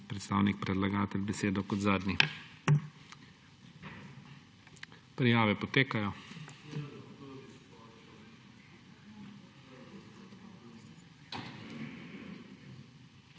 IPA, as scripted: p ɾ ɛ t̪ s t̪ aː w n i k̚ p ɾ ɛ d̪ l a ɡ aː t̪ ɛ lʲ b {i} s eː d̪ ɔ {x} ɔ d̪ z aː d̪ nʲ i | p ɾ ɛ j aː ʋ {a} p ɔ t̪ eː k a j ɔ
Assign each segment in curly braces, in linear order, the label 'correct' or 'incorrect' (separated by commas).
incorrect, incorrect, incorrect